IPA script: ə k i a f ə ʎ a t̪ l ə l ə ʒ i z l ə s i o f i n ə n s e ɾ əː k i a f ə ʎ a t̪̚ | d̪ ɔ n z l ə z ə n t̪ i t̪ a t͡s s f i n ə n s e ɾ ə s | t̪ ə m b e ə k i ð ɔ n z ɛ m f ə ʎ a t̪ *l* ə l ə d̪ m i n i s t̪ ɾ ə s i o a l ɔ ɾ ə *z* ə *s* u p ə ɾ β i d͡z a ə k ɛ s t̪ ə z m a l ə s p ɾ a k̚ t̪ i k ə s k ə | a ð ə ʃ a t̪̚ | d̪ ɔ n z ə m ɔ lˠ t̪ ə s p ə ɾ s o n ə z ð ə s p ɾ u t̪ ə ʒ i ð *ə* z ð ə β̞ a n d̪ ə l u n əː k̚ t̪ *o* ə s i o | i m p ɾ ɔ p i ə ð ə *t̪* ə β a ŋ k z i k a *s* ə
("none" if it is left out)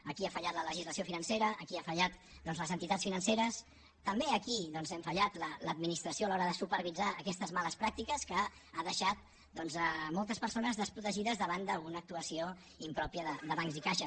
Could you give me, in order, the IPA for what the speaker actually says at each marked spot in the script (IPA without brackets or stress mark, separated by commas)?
l, ð, s, ə, u, d̪, ʃ